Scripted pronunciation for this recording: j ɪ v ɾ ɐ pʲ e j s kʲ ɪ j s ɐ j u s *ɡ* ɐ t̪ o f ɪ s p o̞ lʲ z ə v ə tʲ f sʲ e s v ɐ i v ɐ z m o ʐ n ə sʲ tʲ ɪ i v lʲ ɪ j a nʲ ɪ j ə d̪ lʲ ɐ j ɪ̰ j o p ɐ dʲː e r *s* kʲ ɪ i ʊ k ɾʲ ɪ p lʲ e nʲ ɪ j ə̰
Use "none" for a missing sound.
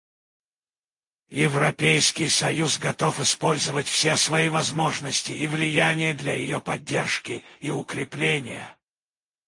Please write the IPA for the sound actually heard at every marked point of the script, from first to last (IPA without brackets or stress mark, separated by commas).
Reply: ɡ, ʂ